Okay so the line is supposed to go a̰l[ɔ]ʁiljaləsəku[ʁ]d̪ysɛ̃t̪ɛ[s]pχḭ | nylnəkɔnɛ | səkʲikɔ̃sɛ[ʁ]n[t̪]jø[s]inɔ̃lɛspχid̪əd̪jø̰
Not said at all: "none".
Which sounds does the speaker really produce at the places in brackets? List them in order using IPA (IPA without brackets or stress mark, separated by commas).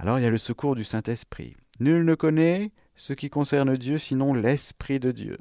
ɔ, ʁ, s, ʁ, d̪, s